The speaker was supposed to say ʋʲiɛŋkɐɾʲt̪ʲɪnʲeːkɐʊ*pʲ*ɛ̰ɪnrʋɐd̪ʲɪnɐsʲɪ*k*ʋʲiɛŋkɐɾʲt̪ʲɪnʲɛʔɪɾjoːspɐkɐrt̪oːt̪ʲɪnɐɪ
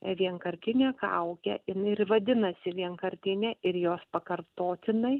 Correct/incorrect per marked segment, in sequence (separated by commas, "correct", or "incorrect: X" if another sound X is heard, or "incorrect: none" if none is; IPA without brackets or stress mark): incorrect: kʲ, incorrect: none